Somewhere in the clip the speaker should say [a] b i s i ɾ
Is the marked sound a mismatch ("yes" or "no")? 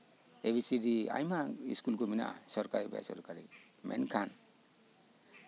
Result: yes